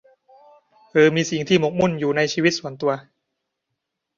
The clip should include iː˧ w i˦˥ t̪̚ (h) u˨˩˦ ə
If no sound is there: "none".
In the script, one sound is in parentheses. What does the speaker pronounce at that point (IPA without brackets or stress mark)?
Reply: s